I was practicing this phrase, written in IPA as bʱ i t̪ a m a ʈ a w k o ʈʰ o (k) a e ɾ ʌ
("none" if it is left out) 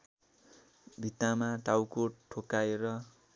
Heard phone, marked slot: k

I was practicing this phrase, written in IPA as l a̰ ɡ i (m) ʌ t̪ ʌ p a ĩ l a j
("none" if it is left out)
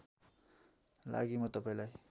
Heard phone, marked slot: m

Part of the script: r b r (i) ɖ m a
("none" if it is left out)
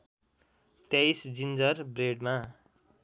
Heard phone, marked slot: e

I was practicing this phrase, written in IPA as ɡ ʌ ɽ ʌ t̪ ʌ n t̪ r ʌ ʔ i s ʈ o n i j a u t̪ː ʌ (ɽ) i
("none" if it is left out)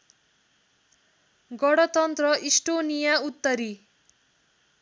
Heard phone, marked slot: ɾ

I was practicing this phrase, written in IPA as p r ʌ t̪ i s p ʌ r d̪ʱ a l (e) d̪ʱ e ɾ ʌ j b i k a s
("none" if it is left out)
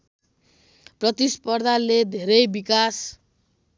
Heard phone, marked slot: e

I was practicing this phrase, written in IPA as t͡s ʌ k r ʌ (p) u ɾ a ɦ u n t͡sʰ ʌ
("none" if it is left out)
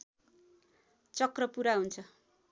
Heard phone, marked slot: p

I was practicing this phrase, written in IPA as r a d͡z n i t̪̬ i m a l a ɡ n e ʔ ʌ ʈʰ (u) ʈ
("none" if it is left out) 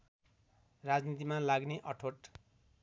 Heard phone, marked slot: o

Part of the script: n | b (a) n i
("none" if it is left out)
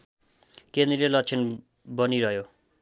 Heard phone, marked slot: ʌ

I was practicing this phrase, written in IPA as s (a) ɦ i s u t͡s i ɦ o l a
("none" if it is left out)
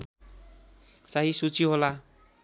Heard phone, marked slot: a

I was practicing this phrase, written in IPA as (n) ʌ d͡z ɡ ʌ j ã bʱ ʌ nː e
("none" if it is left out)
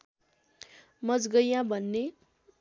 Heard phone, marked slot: m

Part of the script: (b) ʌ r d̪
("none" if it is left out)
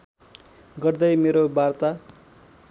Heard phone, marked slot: ɡ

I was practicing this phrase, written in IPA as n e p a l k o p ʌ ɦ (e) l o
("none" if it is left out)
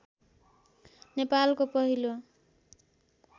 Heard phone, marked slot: i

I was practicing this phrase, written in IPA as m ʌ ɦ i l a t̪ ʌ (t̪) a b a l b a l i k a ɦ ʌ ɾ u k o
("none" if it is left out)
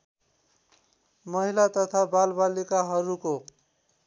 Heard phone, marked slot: t̪ʰ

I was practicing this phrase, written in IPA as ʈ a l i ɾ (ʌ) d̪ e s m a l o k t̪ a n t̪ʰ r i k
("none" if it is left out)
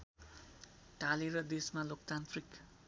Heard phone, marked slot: ʌ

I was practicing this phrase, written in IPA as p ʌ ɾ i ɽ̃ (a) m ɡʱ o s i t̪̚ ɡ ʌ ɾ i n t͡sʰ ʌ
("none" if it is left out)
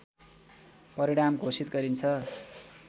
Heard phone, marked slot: a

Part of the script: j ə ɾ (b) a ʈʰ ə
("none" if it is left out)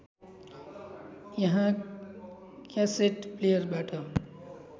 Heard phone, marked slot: b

